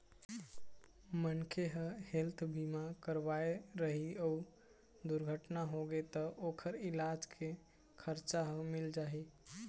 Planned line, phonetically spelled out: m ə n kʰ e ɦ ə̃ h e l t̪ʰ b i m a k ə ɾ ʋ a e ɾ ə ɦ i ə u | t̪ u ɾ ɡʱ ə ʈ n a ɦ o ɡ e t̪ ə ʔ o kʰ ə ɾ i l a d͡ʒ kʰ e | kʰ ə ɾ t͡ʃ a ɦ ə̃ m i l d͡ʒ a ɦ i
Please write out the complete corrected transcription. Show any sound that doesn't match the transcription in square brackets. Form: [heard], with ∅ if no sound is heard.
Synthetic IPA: m ə n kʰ e ɦ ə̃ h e l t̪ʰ b i m a k ə ɾ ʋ a e ɾ ə ɦ i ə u | [d̪] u ɾ ɡʱ ə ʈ n a ɦ o ɡ e t̪ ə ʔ o kʰ ə ɾ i l a d͡ʒ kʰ e | kʰ ə ɾ t͡ʃ a ɦ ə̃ m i l d͡ʒ a ɦ i